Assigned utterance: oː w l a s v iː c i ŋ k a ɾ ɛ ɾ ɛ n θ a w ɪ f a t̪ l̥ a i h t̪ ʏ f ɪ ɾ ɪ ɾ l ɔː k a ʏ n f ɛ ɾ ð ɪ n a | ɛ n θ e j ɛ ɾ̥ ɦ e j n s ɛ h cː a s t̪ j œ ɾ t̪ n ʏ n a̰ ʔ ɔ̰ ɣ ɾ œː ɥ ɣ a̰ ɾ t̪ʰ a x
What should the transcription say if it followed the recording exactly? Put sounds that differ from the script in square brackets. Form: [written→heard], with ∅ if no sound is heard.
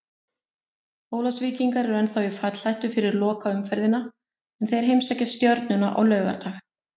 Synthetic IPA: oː w l a s v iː c i ŋ k a ɾ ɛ ɾ ɛ n θ a w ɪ f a t̪ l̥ a [i→j] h t̪ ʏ f ɪ ɾ ɪ ɾ l ɔː k a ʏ [n→m] f ɛ ɾ ð ɪ n a | ɛ n θ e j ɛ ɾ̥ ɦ e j [n→m] s ɛ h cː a s t̪ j œ ɾ t̪ n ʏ n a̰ ʔ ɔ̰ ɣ [ɾ→l] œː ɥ ɣ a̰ ɾ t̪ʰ a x